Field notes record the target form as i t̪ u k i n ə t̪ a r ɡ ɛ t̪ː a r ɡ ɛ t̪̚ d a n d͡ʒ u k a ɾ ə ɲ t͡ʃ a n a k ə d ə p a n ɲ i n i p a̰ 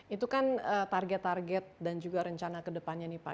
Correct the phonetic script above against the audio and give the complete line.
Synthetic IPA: i t̪ u k a n ə t̪ a r ɡ ɛ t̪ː a r ɡ ɛ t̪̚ d a n d͡ʒ u ɡ a ɾ ə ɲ t͡ʃ a n a k ə d ə p a n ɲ a n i p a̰